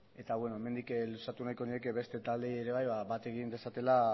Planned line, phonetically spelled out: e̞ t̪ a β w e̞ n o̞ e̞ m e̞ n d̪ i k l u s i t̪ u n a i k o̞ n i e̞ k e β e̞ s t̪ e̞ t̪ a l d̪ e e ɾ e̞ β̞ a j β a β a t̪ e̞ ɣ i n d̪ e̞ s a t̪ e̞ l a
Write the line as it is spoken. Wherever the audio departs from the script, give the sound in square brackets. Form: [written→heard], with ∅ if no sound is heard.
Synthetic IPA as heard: e̞ t̪ a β w e̞ n o̞ e̞ m e̞ n d̪ i k l u s [i→a] t̪ u n a [i→j] k o̞ n i e̞ k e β e̞ s t̪ e̞ t̪ a l d̪ e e ɾ e̞ β̞ a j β a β a t̪ e̞ ɣ i n d̪ e̞ s a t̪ e̞ l a